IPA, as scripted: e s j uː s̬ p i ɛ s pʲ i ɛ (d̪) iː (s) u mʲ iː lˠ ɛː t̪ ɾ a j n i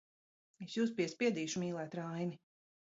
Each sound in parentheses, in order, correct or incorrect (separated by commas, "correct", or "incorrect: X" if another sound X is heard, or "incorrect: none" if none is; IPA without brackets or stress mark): correct, incorrect: ʃ